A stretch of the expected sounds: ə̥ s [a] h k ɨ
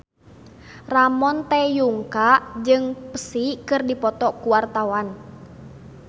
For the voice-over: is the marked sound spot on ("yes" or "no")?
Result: no